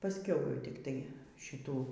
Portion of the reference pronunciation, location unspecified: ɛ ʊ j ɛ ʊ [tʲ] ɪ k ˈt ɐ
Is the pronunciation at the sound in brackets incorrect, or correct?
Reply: correct